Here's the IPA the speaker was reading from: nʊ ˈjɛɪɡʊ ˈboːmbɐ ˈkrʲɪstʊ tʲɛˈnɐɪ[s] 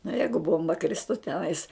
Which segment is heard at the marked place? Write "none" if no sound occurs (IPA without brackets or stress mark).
s